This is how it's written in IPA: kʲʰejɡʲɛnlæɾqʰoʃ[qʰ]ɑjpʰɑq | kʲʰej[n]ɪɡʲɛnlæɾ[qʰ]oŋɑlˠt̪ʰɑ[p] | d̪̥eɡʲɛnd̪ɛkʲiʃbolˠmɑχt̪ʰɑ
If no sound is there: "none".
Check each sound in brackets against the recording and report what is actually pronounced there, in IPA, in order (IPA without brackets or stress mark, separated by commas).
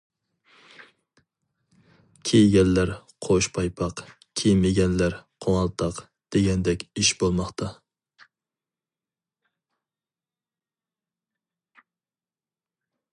pʰ, m, qʰ, q